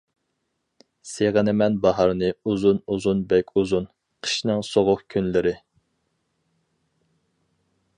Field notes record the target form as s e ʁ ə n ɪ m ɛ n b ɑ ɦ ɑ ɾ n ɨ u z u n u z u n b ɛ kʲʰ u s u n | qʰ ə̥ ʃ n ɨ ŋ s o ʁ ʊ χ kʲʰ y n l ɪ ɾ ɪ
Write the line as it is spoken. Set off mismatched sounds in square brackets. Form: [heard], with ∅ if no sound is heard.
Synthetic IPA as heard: s e ʁ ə n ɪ m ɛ n b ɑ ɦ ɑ ɾ n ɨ u z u n u z u n b ɛ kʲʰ u [z] u n | qʰ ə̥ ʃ n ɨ ŋ s o ʁ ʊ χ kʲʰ y n l ɪ ɾ ɪ